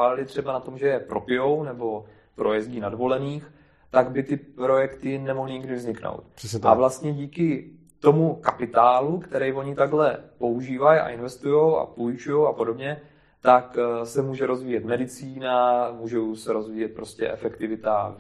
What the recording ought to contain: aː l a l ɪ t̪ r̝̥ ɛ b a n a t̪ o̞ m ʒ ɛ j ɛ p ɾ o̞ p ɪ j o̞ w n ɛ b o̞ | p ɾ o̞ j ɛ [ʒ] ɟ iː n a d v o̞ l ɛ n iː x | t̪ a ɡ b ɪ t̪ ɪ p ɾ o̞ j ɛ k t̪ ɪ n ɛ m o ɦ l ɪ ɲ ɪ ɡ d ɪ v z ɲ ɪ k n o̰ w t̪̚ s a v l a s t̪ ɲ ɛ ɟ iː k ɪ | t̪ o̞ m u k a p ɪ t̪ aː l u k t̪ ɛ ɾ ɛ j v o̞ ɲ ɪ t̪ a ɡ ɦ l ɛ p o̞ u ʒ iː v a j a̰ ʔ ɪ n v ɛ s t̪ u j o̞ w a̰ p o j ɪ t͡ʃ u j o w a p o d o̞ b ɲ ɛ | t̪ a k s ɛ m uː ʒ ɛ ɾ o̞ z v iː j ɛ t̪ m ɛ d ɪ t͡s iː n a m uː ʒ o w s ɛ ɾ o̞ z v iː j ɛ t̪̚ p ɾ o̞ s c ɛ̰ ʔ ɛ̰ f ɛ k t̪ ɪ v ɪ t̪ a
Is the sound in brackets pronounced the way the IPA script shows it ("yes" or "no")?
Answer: no